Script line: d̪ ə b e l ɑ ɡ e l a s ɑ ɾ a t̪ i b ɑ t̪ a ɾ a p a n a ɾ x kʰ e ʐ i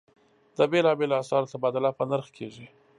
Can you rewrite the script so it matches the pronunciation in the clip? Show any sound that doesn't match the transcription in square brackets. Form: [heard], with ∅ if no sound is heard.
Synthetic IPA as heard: d̪ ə b e l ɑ [b] e l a s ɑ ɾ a t̪ [a] b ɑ [d̪] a [l] a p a n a ɾ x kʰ e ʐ i